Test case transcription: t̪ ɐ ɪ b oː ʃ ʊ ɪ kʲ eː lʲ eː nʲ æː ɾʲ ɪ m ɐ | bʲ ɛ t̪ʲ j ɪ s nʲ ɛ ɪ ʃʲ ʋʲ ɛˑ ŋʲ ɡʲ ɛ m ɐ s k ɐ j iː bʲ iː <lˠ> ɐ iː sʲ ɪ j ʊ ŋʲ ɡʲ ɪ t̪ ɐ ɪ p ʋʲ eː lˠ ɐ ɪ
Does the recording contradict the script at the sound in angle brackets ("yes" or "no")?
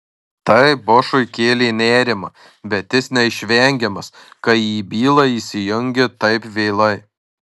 no